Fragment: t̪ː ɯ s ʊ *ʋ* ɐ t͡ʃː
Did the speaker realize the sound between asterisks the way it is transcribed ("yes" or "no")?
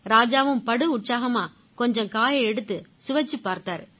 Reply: yes